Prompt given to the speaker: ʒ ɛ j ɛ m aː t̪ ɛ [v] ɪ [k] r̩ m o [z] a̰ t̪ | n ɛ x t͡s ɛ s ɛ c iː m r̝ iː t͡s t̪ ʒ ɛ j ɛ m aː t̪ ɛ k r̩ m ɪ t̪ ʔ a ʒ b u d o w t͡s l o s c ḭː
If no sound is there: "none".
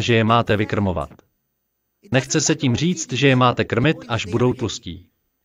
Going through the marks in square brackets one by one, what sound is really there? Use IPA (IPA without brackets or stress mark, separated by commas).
v, k, v